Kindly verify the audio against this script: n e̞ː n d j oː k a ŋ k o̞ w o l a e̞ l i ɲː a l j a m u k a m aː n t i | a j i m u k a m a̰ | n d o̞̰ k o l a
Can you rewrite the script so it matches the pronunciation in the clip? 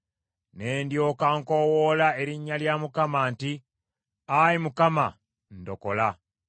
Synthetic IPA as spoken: n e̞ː n d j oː k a ŋ k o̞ w o l a e̞ ɾ i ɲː a l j a m u k a m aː n t i | a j i m u k a m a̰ | n d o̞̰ k o l a